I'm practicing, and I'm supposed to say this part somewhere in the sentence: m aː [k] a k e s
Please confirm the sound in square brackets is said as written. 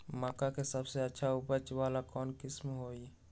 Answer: yes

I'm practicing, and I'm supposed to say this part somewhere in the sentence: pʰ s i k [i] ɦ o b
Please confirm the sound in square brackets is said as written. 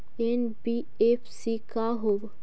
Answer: no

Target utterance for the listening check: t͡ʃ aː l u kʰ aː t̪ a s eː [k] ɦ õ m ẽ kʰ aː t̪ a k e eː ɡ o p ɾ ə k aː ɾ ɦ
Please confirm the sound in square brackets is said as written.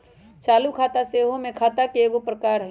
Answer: no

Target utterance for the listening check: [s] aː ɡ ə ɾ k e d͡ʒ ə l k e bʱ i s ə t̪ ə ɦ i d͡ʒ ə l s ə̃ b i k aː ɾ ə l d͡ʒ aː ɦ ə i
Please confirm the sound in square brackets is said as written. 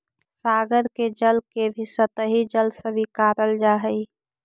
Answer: yes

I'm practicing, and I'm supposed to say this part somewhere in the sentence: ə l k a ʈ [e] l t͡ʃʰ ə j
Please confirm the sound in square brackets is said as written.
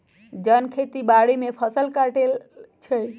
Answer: yes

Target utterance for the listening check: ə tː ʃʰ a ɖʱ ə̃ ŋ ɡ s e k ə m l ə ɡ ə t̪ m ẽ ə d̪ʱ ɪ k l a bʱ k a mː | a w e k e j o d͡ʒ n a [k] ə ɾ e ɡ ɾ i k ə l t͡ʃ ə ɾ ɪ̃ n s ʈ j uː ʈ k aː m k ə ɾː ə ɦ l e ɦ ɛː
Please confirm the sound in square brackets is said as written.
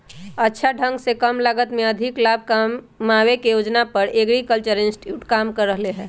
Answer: no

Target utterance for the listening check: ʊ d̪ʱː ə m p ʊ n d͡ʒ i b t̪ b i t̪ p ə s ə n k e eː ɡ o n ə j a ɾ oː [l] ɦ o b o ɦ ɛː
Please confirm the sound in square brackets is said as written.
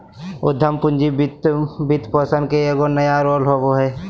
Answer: yes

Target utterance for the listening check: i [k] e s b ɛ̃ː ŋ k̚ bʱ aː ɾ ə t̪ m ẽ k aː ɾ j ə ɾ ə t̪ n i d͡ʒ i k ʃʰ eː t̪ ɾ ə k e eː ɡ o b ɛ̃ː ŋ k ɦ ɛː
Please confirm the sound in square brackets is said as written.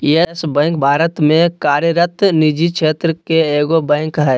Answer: no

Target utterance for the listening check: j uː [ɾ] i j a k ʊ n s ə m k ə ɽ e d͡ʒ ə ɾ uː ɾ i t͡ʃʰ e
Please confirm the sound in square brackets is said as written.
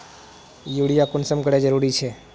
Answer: no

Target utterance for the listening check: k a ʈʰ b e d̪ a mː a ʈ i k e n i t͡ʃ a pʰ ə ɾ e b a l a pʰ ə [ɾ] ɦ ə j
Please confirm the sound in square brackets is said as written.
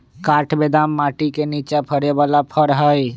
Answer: yes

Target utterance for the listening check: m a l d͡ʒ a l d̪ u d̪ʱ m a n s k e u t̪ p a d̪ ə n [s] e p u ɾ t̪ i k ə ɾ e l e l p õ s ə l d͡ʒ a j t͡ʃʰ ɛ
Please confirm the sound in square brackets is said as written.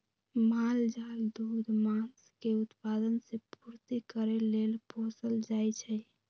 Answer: yes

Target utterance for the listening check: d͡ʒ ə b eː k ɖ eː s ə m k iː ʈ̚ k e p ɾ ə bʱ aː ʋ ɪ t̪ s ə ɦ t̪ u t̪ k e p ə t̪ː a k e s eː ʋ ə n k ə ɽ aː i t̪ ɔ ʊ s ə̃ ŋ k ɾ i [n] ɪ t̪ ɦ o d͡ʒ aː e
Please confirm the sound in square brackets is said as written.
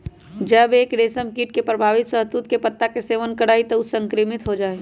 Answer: no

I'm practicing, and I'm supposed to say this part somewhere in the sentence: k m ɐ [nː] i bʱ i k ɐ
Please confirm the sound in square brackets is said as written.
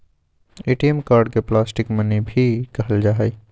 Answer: no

